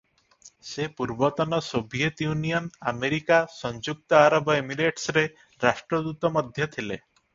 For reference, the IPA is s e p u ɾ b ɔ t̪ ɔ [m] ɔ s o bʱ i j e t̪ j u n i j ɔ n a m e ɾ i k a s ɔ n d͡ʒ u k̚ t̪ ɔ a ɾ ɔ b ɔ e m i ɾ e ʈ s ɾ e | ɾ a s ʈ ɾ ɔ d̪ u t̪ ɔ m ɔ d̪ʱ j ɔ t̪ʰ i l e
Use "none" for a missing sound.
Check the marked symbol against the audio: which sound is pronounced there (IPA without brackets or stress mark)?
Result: n